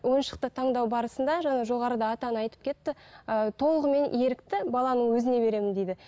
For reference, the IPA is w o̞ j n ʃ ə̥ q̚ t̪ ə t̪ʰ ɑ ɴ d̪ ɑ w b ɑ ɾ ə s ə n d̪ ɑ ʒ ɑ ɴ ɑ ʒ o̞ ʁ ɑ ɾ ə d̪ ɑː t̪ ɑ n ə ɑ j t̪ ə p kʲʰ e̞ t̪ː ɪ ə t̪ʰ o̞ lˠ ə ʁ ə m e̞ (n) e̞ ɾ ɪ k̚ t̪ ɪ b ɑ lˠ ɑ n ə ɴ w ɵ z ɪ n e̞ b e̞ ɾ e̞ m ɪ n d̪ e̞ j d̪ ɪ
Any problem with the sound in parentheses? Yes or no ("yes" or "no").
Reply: no